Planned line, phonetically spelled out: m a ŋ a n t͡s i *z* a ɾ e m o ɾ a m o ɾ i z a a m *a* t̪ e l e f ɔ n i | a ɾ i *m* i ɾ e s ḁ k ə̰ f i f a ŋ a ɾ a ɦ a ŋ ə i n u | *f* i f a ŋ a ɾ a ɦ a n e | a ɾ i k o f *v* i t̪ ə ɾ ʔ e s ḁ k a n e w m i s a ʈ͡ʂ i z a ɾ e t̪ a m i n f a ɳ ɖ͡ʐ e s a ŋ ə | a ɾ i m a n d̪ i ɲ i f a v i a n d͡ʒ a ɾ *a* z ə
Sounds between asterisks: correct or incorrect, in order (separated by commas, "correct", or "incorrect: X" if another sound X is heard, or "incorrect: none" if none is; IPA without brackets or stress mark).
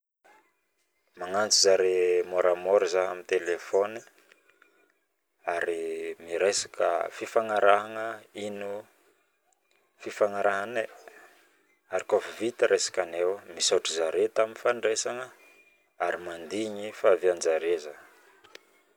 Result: correct, incorrect: i, correct, correct, correct, incorrect: e